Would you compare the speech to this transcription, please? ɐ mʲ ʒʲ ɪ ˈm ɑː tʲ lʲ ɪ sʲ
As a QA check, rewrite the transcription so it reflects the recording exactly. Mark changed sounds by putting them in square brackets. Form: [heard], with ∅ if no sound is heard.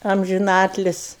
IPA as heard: ɐ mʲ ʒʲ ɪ [ˈn] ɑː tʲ lʲ ɪ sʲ